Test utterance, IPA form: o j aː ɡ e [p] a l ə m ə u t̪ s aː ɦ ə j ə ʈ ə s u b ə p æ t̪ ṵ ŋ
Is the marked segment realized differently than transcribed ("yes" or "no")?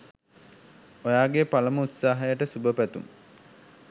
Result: no